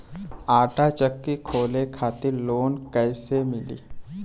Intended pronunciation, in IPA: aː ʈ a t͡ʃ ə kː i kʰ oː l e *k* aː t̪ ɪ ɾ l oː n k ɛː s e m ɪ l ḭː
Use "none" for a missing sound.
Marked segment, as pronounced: kʰ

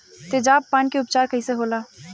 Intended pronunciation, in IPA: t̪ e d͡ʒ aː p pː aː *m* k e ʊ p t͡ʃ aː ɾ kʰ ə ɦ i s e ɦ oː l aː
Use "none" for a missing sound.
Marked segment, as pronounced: n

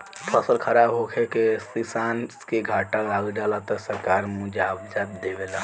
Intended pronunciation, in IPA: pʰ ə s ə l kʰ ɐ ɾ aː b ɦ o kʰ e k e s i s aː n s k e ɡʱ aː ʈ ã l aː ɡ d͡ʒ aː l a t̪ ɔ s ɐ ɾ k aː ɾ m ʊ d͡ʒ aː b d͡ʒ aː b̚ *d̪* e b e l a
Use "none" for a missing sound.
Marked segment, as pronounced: d̪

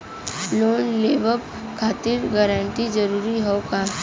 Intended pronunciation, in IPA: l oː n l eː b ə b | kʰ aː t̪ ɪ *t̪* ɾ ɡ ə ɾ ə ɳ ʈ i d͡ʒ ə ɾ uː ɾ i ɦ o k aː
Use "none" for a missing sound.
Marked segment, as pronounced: none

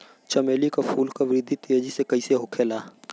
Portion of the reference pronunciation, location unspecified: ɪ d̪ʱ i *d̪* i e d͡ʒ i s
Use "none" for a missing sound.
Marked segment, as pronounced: t̪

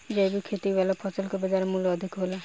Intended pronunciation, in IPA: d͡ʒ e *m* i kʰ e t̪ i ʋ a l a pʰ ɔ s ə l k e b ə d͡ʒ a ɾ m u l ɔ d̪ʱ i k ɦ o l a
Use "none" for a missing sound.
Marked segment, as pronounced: b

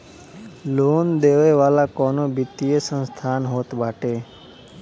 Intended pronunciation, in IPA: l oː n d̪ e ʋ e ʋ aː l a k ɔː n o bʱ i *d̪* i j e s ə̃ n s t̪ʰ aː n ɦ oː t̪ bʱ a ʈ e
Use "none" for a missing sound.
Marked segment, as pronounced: t̪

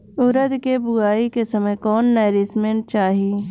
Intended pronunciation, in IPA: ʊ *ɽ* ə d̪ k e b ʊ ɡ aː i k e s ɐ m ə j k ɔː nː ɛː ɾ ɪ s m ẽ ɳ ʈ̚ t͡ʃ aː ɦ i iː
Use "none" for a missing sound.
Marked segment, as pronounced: ɾ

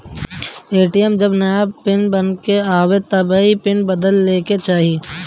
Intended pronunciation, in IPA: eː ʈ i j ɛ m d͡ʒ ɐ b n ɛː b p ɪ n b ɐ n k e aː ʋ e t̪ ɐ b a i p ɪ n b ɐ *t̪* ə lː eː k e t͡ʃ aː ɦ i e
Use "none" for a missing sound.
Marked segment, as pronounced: d̪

